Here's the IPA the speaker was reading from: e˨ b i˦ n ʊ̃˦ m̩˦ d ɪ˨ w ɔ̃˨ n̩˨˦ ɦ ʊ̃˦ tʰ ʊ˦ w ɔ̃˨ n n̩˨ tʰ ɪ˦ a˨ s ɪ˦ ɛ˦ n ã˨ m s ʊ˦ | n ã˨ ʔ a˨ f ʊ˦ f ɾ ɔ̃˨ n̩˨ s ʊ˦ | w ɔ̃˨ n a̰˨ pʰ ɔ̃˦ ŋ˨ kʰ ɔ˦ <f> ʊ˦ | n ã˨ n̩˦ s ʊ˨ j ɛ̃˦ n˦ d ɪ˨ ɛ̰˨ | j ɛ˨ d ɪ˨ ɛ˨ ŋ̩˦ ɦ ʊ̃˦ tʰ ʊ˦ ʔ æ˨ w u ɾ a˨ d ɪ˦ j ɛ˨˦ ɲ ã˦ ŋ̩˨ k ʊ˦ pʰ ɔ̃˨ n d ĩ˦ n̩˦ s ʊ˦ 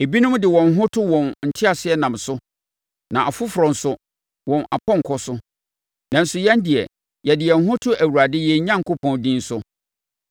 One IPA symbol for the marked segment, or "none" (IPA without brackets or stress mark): s